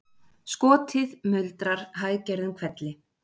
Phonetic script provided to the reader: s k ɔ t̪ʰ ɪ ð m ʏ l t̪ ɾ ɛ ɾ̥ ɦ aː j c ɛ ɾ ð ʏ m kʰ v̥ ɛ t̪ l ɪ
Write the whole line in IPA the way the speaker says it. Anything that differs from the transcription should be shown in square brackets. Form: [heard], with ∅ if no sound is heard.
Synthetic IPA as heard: s k [ɔː] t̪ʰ ɪ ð m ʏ l t̪ ɾ [a] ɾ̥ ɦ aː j c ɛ ɾ ð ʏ m kʰ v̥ ɛ t̪ l ɪ